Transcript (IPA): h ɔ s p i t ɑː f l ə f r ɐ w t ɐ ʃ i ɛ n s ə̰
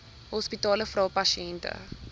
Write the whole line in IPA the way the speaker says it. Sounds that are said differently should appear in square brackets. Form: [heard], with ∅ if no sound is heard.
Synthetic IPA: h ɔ s p i t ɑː [∅] l ə f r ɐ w [p] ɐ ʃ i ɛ n [t] ə̰